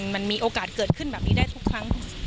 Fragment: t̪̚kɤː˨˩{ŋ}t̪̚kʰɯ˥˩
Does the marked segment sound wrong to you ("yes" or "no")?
yes